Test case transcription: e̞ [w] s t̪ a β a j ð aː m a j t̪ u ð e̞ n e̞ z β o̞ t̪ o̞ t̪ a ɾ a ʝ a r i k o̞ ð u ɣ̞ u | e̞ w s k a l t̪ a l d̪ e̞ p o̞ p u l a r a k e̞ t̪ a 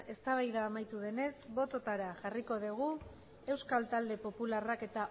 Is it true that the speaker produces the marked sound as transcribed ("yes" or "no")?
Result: no